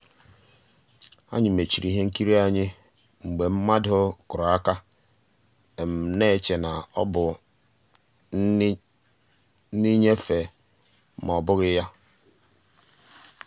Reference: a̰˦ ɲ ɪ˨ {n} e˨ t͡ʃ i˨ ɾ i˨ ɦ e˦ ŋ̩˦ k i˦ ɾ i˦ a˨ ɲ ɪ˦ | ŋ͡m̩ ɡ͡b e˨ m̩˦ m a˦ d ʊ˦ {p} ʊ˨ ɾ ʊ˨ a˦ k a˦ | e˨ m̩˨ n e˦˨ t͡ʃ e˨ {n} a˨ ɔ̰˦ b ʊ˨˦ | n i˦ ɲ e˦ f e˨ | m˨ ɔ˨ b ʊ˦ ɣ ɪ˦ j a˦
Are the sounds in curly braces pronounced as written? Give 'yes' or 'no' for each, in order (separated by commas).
no, no, yes